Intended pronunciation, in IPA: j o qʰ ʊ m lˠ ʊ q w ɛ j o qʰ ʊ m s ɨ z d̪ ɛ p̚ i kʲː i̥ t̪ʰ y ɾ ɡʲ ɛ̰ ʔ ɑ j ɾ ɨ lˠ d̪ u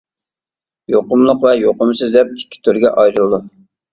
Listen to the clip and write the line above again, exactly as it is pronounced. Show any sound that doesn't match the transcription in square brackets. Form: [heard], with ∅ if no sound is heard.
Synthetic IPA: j o [q] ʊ m lˠ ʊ q [v] ɛ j o [q] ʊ m s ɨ z d̪ ɛ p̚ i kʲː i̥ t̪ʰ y ɾ ɡʲ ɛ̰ ʔ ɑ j ɾ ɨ lˠ d̪ u